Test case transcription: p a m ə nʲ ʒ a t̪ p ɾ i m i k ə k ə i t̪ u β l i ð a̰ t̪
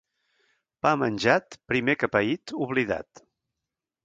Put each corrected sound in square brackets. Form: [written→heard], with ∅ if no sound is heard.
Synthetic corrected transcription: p a m ə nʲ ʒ a t̪ p ɾ i m [i→e] k ə [k→p] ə i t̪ u β l i ð a̰ t̪